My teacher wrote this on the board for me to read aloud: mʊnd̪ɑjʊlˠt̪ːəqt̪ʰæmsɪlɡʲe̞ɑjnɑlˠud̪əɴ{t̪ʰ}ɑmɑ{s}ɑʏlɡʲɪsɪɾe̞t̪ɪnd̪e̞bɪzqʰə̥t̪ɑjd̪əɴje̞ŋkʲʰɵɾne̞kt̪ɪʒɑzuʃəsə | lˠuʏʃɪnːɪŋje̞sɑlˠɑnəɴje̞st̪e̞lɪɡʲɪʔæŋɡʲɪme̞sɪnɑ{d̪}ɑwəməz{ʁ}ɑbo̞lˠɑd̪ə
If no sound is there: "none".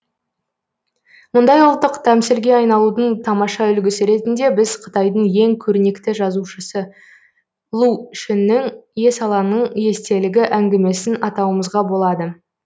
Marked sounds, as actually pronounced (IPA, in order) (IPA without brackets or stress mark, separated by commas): t̪ʰ, ʃ, t̪, ʁ